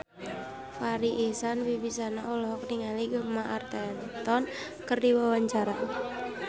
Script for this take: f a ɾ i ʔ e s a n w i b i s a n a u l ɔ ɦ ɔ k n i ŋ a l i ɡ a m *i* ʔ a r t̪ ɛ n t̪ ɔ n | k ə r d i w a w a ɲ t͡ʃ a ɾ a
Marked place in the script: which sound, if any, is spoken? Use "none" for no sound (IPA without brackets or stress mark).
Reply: a